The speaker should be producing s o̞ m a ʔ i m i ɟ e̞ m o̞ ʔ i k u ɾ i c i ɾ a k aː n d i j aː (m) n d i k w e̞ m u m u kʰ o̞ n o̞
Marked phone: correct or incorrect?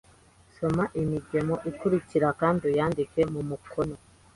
incorrect